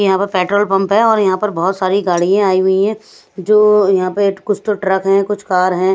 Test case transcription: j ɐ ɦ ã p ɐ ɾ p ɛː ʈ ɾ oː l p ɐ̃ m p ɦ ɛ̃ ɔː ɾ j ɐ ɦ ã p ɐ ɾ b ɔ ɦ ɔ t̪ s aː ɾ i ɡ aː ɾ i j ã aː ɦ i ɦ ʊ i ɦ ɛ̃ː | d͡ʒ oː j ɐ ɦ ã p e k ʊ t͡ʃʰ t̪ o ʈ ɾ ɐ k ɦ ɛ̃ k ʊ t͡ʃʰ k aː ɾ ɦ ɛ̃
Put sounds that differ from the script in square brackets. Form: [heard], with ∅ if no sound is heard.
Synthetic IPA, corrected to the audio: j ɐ ɦ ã p ɐ ɾ p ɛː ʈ ɾ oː l p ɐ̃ m p ɦ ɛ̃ ɔː ɾ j ɐ ɦ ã p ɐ ɾ b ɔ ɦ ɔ t̪ s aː ɾ i ɡ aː [ɽ] i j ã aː [∅] i ɦ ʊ i ɦ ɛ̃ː | d͡ʒ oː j ɐ ɦ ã p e k ʊ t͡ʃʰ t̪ o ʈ ɾ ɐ k ɦ ɛ̃ k ʊ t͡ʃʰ k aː ɾ ɦ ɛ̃